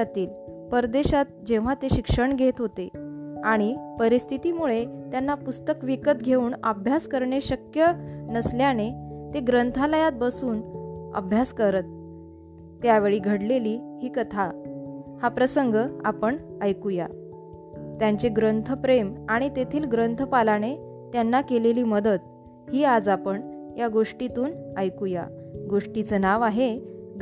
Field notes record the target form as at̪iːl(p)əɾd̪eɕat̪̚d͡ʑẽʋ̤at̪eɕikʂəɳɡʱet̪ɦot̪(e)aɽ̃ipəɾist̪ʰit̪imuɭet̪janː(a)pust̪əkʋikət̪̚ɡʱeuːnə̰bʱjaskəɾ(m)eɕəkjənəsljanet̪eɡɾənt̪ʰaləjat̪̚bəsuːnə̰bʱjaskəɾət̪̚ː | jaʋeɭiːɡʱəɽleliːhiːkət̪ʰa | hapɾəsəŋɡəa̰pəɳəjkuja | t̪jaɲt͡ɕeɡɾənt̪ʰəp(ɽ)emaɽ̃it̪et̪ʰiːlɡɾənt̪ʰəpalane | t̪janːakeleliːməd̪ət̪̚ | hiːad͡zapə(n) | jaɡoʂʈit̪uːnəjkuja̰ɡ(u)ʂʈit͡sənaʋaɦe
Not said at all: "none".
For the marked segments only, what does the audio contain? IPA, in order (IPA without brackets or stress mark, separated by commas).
p, e, a, ɳ, ɾ, ɳ, o